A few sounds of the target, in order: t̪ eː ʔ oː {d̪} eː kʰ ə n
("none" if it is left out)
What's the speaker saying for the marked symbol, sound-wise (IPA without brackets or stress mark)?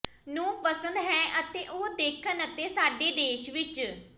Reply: d̪